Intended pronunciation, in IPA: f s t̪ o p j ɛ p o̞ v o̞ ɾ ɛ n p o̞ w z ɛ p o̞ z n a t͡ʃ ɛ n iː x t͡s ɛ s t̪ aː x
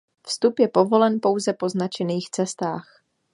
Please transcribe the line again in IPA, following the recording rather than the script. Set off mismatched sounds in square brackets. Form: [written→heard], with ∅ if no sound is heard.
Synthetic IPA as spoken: f s t̪ [o→u] p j ɛ p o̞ v o̞ [ɾ→l] ɛ n p o̞ w z ɛ p o̞ z n a t͡ʃ ɛ n iː x t͡s ɛ s t̪ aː x

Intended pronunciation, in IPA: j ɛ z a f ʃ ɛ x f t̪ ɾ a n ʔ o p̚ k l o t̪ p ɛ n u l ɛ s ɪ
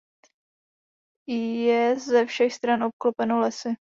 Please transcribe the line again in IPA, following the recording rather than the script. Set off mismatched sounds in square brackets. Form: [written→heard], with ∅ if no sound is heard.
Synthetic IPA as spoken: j ɛ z [a→ɛ] f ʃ ɛ x [f→s] t̪ ɾ a n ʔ o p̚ k l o [t̪→∅] p ɛ n [u→o] l ɛ s ɪ

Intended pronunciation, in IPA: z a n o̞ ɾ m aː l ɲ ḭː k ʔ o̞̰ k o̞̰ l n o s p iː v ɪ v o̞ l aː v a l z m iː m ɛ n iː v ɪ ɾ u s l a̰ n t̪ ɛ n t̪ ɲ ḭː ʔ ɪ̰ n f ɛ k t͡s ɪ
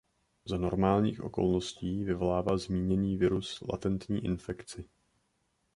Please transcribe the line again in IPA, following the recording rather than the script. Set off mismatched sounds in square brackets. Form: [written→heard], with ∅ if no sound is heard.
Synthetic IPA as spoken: z a n o̞ ɾ m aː l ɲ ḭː [k→x] ʔ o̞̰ k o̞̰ l n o s [p→c] iː v ɪ v o̞ l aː v a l z m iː [m→ɲ] ɛ n iː v ɪ ɾ u s l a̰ [n→∅] t̪ ɛ n t̪ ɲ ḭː ʔ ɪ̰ n f ɛ k t͡s ɪ

